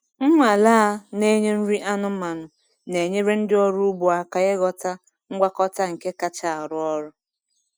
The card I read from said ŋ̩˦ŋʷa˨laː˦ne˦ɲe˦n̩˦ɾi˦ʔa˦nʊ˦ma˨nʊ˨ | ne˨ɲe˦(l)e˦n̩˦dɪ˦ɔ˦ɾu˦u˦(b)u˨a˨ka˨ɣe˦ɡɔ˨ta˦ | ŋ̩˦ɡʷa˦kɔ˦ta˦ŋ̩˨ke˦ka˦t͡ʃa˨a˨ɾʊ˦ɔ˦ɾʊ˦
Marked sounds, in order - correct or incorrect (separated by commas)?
incorrect, correct